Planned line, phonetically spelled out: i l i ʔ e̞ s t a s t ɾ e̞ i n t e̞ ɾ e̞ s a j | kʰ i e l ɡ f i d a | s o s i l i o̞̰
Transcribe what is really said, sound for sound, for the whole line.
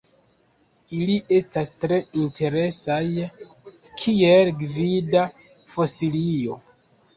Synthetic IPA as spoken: i l i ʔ e̞ s t a s t ɾ e̞ i n t e̞ ɾ e̞ s a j | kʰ i e l ɡ v i d a | f o s i l i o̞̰